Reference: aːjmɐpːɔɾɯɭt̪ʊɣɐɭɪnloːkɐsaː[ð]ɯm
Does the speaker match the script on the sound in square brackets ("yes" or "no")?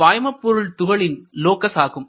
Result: no